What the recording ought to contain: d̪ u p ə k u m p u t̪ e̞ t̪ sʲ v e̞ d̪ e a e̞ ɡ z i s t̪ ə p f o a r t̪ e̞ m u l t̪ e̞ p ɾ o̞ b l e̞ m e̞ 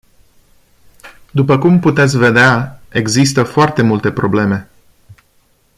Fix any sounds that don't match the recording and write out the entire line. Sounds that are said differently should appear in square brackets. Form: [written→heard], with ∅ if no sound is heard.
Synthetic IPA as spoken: d̪ u p ə k u m p u t̪ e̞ t̪ sʲ v e̞ d̪ e a e̞ ɡ z i s t̪ ə [p→∅] f o a r t̪ e̞ m u l t̪ e̞ p ɾ o̞ b l e̞ m e̞